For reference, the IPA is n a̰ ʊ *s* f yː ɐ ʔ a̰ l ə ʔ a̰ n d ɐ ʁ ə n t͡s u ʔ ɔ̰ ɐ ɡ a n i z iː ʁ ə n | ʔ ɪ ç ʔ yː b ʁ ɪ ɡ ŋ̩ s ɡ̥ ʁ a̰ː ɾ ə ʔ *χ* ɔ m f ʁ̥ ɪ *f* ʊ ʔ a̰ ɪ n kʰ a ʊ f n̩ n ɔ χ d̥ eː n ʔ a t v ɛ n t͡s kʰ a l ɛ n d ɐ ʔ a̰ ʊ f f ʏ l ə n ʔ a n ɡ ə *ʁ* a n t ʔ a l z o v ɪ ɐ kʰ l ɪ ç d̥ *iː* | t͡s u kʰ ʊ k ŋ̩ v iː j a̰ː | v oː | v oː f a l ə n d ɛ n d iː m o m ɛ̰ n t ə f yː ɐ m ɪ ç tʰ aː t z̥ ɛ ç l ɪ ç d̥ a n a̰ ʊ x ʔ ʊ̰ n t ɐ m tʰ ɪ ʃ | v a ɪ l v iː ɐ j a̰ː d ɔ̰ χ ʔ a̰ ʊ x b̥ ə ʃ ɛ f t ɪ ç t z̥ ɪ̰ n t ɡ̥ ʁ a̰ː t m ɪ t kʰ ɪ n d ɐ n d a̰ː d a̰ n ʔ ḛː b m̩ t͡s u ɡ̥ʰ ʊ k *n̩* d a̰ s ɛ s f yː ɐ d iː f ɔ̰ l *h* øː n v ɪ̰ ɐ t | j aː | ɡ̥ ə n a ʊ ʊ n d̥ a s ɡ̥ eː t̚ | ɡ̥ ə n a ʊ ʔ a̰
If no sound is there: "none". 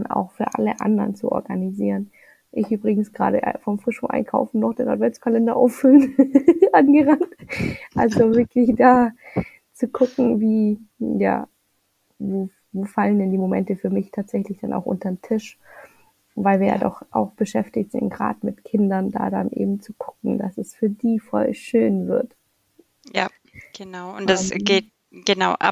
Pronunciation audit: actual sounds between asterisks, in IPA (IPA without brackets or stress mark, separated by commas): x, f, ʃ, ʁ, aː, ŋ̩, ʃ